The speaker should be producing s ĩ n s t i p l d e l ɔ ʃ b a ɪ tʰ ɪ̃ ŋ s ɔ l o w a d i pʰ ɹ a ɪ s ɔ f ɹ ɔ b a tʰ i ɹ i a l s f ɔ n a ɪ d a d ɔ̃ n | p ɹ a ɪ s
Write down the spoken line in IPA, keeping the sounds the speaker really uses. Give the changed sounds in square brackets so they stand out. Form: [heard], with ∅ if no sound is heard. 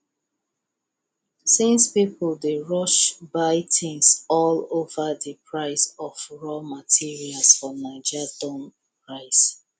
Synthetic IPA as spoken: s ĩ n s [p] i p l d e [ɹ] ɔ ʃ b a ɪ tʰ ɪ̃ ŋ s ɔ l o [v] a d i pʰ ɹ a ɪ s ɔ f ɹ ɔ [m] a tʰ i ɹ i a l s f ɔ n a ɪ [d͡ʒ] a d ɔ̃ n | p ɹ a ɪ s